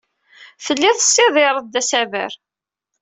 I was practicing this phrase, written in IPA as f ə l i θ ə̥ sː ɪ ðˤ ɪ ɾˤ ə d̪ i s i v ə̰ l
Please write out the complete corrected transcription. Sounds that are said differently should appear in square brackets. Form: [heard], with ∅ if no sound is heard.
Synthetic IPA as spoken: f ə [lː] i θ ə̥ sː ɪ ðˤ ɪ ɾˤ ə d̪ [æ] s [æ] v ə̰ [ɾ]